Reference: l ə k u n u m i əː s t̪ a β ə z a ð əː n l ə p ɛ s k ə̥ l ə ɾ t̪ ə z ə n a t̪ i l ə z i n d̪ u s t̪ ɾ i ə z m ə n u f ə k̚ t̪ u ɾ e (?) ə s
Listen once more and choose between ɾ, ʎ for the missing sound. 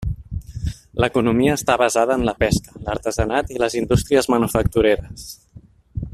ɾ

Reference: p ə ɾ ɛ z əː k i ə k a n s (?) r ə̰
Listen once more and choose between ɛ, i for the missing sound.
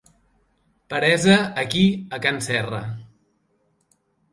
ɛ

